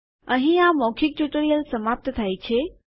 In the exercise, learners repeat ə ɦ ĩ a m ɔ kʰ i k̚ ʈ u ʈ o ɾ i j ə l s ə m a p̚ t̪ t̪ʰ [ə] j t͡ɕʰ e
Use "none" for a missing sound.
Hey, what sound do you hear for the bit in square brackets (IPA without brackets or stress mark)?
a